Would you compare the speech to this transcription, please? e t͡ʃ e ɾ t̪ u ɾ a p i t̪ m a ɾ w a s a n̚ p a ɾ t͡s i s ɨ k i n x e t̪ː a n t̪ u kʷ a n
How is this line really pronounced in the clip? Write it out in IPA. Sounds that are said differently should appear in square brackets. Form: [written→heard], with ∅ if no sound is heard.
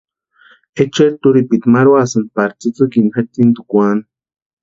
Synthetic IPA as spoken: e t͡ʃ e ɾ t̪ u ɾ [a→i] p i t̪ m a ɾ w a s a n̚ p a ɾ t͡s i [s→t͡s] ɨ k i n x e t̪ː [a→i] n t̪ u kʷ a n